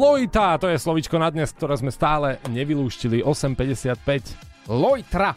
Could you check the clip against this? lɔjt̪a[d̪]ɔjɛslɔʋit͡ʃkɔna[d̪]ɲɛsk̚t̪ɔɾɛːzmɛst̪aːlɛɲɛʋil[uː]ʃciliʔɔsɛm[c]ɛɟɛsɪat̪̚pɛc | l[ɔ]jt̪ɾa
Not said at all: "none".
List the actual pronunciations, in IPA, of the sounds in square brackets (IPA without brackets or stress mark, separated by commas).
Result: t̪, d̪, uː, p, ɔ